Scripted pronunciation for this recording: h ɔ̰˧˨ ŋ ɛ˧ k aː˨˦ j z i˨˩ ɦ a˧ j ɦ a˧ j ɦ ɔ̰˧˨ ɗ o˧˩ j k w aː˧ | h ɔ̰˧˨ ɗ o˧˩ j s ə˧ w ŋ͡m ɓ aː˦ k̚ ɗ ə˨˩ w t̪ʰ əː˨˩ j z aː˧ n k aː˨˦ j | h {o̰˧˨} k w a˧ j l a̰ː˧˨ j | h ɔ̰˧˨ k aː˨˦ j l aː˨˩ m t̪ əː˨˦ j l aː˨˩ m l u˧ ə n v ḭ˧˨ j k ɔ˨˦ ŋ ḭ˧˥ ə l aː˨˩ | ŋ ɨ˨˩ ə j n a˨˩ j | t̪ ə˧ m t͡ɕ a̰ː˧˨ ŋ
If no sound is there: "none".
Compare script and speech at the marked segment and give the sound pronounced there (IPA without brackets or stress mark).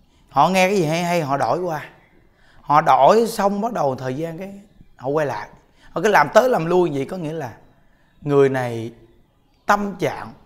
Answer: ɔ̰˧˨